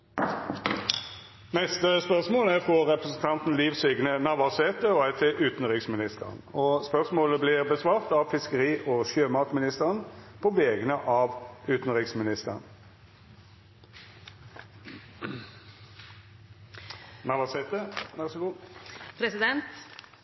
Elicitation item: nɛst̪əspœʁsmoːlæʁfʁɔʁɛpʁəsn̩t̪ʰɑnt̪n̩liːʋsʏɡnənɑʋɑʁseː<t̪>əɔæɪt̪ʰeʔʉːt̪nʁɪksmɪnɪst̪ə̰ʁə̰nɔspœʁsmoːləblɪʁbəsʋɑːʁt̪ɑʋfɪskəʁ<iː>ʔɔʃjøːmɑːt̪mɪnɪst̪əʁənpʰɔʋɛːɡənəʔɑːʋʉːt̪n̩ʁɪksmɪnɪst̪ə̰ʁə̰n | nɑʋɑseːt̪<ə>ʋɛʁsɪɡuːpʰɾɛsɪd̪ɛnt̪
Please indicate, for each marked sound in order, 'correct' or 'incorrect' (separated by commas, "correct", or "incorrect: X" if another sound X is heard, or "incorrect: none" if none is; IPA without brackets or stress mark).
correct, correct, correct